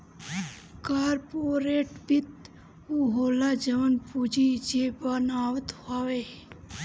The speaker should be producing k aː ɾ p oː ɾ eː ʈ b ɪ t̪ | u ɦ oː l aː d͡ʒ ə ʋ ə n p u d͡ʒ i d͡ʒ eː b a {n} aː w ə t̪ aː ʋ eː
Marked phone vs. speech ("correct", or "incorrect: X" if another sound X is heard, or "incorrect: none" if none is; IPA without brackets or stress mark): correct